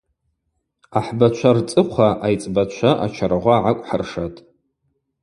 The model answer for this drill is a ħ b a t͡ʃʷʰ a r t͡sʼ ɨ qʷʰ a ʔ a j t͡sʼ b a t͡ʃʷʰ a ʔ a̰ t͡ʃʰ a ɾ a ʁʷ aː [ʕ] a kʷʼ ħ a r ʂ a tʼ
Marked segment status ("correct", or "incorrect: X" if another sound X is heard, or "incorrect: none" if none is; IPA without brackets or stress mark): correct